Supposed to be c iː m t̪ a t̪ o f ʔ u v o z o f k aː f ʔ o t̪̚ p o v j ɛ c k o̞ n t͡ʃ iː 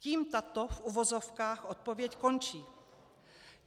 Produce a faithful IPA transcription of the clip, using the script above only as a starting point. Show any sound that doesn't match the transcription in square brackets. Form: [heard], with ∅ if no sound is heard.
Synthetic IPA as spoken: c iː m t̪ a t̪ o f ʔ u v o z o f k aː [x] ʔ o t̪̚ p o v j ɛ c k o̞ n t͡ʃ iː